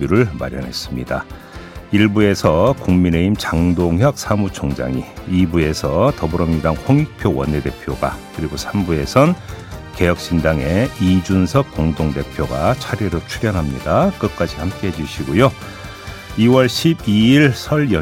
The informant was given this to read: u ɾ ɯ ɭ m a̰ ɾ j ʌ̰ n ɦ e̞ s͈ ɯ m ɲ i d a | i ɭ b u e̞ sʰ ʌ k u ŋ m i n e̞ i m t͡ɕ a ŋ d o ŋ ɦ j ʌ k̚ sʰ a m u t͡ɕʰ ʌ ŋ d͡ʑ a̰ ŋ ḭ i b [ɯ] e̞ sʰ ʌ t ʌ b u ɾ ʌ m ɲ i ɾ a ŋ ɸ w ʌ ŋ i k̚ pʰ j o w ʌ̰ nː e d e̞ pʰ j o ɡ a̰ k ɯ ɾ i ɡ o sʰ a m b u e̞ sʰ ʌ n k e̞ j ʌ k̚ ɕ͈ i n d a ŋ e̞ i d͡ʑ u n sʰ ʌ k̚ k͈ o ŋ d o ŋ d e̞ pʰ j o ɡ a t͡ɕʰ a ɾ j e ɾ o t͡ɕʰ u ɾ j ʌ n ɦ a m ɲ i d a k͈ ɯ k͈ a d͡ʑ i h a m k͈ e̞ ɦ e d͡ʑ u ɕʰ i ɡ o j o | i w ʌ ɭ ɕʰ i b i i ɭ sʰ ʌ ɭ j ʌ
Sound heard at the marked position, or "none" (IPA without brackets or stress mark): u